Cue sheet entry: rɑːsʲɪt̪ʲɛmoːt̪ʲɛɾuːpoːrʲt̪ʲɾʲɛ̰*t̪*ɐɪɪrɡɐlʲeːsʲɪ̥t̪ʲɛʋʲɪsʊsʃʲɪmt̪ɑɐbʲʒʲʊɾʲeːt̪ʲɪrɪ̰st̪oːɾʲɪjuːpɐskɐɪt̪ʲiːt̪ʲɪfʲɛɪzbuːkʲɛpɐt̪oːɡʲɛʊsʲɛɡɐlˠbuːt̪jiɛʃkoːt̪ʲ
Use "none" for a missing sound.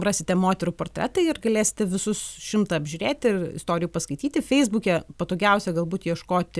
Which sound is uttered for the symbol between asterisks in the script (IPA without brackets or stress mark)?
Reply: t̪